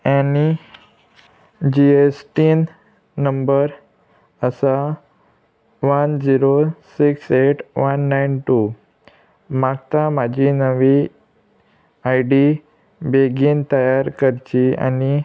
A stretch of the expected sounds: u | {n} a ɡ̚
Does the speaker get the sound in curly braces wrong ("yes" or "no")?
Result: yes